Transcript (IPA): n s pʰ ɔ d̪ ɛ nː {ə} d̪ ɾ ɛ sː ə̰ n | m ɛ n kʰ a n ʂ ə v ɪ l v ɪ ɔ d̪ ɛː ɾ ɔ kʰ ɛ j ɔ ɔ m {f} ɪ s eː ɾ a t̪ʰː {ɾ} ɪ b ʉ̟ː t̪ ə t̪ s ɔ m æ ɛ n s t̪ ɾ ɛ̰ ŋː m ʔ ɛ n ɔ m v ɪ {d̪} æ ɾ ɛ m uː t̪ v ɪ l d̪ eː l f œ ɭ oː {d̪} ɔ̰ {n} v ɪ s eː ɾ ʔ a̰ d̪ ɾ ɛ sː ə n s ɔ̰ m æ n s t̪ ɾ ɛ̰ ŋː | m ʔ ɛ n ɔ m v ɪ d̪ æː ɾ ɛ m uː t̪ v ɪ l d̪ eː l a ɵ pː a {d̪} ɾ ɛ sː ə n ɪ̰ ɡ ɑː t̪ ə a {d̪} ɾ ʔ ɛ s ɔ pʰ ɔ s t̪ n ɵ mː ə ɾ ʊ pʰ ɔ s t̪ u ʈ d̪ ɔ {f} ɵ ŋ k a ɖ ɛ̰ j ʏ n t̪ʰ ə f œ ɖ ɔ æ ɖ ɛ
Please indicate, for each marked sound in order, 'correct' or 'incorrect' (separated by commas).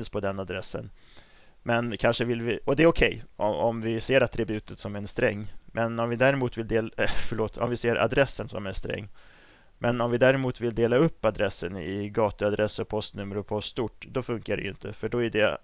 incorrect, incorrect, correct, correct, incorrect, incorrect, correct, correct, correct